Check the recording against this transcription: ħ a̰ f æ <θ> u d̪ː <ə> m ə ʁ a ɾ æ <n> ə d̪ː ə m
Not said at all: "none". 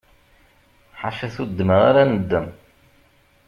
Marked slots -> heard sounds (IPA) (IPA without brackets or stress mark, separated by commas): θ, ə, n